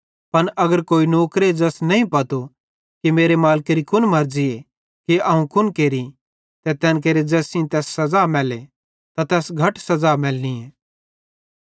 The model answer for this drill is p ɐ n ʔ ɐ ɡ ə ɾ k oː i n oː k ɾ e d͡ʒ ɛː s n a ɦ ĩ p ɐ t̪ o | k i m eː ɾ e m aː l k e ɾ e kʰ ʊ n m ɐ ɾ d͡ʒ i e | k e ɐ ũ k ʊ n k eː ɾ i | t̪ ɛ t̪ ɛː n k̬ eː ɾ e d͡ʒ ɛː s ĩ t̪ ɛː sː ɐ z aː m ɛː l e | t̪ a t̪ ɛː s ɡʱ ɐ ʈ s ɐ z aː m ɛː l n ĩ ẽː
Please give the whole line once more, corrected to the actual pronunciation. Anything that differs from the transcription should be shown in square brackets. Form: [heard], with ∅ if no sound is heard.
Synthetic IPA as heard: p ɐ n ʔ ɐ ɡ ə ɾ k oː i n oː k ɾ e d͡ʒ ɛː s n [ɐ] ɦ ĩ p ɐ t̪ o | k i m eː ɾ e m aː l k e ɾ [i] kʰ ʊ n m ɐ ɾ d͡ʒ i e | k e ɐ ũ k ʊ n k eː ɾ i | t̪ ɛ t̪ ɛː n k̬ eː ɾ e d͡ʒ ɛː s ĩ t̪ ɛː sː ɐ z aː m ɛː l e | t̪ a t̪ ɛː s ɡʱ ɐ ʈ s ɐ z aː m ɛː l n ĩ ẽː